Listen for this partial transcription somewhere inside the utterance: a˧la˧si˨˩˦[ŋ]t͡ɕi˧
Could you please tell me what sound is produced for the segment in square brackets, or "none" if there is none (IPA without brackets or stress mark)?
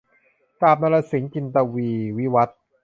ŋ